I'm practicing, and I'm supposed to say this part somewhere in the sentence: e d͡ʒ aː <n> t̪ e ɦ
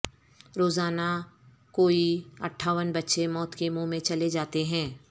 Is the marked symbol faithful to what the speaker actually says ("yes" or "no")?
no